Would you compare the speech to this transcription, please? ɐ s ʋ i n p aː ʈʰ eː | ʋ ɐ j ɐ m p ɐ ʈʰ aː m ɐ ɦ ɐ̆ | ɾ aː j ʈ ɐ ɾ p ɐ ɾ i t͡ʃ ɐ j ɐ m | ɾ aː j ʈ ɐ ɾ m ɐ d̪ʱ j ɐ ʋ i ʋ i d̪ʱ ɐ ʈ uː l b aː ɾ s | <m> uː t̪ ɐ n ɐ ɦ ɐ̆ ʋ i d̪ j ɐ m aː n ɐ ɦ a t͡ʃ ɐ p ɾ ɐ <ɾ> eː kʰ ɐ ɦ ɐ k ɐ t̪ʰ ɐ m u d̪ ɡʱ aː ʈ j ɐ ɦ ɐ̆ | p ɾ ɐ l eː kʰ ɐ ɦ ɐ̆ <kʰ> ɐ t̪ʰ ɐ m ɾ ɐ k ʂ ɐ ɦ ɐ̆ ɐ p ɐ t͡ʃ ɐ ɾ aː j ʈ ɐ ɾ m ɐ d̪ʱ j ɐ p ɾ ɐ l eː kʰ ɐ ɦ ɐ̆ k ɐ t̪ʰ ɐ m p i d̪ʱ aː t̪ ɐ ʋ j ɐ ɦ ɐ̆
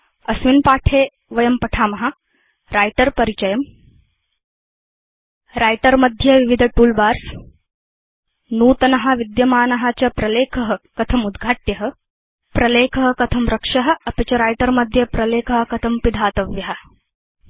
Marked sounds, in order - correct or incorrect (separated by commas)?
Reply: incorrect, incorrect, incorrect